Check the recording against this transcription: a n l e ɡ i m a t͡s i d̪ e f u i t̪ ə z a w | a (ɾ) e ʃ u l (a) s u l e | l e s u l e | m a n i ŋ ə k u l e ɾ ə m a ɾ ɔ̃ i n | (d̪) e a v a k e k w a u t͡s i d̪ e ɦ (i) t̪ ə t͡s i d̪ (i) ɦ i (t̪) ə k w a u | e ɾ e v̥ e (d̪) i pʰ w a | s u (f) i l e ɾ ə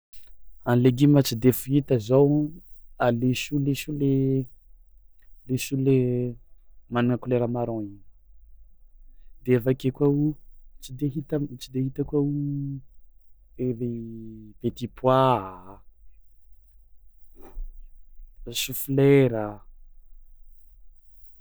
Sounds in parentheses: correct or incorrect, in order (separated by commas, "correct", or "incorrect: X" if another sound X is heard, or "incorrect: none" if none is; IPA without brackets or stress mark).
incorrect: l, incorrect: e, correct, correct, incorrect: e, correct, incorrect: t̪, correct